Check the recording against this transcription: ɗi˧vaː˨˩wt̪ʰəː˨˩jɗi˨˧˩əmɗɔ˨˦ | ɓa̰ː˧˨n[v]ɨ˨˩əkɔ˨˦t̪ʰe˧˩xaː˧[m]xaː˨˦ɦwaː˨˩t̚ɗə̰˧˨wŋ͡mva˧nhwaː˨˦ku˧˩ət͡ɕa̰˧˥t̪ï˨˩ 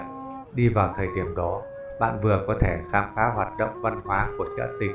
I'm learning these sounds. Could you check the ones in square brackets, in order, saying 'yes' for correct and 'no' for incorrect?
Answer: yes, yes

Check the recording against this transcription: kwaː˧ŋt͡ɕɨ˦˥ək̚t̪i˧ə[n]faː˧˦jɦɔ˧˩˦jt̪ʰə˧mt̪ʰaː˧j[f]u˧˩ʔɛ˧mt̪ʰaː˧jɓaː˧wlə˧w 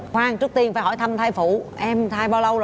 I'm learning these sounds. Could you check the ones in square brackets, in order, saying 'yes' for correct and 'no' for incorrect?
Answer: yes, yes

